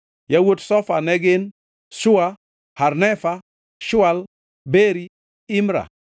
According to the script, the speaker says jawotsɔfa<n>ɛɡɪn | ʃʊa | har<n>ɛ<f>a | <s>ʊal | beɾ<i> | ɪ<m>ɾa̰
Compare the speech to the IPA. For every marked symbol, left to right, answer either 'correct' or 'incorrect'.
correct, correct, correct, incorrect, correct, correct

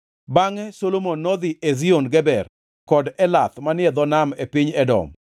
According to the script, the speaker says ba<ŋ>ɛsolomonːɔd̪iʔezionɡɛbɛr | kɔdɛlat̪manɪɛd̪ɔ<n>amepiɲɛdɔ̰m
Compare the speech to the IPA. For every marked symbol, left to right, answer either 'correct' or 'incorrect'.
correct, correct

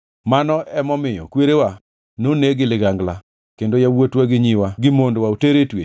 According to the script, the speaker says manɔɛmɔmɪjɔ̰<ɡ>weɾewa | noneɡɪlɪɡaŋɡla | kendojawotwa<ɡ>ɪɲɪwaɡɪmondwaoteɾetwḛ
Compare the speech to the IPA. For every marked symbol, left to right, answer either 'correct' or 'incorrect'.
incorrect, correct

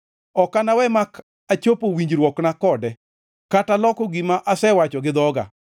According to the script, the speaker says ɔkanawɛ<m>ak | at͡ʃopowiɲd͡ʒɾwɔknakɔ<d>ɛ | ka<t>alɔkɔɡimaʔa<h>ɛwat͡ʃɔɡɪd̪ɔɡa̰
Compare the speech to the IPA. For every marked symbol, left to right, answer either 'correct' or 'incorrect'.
correct, correct, correct, incorrect

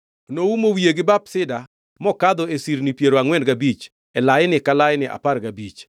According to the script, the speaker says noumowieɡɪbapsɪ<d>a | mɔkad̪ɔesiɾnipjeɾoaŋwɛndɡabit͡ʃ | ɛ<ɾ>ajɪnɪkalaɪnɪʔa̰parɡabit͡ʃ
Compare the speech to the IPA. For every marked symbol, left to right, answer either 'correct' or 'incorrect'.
correct, incorrect

